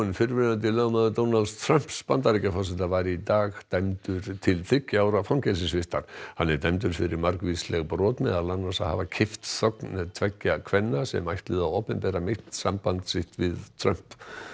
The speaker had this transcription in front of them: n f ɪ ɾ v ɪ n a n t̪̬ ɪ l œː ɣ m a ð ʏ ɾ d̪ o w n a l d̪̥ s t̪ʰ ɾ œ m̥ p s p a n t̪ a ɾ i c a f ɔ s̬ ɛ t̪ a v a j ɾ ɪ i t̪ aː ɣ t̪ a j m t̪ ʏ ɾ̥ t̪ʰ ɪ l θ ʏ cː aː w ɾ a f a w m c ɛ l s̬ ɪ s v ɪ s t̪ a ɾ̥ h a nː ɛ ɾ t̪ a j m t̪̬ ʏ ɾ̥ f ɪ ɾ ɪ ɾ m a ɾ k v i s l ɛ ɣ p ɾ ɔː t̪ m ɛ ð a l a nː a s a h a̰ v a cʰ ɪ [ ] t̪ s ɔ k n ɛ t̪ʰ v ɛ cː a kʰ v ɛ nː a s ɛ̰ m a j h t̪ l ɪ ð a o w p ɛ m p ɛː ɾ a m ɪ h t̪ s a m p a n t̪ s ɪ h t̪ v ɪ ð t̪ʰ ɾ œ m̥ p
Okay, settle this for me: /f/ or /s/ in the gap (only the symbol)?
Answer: f